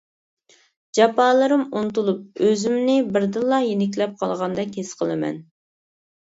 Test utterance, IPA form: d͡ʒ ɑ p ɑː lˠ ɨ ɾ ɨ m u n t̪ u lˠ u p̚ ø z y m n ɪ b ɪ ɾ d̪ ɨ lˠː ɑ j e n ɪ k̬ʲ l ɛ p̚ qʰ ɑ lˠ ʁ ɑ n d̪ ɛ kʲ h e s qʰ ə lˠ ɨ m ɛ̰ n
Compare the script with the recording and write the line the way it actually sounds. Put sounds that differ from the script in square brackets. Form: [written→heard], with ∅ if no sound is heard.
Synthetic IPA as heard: d͡ʒ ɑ p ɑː lˠ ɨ ɾ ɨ m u n t̪ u lˠ u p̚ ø z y m n ɪ b ɪ ɾ d̪ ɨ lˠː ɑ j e n ɪ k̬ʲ l ɛ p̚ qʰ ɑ lˠ ʁ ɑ n d̪ ɛ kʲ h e s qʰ ə lˠ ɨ m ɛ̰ n

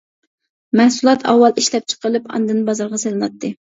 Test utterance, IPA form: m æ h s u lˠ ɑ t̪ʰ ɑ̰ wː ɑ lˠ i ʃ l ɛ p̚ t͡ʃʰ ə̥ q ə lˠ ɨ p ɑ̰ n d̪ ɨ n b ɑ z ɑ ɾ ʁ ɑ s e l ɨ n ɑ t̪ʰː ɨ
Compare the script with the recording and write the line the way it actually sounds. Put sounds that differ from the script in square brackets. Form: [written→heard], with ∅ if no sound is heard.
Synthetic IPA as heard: m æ h s u lˠ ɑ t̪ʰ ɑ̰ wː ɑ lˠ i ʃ l ɛ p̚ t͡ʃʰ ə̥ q ə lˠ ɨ p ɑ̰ n d̪ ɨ n b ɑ z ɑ ɾ ʁ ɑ s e l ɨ n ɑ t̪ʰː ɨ

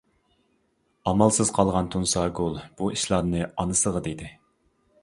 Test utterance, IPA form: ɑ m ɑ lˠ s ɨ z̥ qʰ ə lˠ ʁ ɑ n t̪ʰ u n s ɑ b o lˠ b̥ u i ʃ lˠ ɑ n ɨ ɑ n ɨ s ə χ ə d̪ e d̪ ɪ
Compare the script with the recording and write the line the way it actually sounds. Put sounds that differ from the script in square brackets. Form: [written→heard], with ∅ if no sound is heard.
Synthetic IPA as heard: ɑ m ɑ lˠ s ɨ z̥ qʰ [ə→ɑ] lˠ ʁ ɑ n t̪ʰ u n s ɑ [b→ɡ] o lˠ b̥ u i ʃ lˠ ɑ n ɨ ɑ n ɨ s ə [χ→ʁ] ə d̪ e d̪ ɪ

